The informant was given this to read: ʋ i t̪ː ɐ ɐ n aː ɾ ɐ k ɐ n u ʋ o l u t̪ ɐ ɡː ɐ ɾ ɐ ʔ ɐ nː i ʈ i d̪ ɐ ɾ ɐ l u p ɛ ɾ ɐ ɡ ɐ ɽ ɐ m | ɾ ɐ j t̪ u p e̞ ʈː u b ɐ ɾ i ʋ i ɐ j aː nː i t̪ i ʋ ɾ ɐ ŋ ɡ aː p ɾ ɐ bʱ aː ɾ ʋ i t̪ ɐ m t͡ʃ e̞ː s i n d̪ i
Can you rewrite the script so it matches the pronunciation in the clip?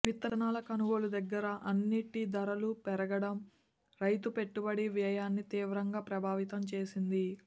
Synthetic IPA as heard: ʋ i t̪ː ɐ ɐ n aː l ɐ k ɐ n u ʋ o l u d̪ ɐ ɡː ɐ ɾ ɐ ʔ ɐ nː i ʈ i d̪ ɐ ɾ ɐ l u p ɛ ɾ ɐ ɡ ɐ ɽ ɐ m | ɾ ɐ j t̪ u p e̞ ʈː u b ɐ ɽ i ʋ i ɐ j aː nː i t̪ iː ʋ ɾ ɐ ŋ ɡ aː p ɾ ɐ bʱ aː ʋ i t̪ ɐ m t͡ʃ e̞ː s i n d̪ i